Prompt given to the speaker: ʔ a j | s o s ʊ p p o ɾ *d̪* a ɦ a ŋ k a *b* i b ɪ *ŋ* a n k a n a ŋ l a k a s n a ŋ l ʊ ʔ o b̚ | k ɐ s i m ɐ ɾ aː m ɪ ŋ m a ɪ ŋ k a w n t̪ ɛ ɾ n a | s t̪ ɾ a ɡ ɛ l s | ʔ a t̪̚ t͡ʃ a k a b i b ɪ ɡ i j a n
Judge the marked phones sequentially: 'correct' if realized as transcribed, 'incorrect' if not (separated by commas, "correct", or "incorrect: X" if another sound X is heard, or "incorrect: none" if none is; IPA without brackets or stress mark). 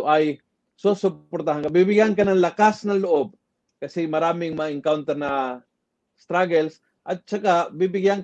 incorrect: t̪, correct, incorrect: ɡ